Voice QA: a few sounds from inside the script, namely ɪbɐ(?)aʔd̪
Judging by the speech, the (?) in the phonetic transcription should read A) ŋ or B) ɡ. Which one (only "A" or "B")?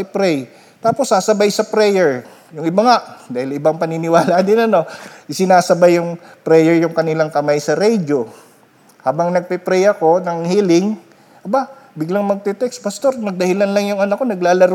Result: A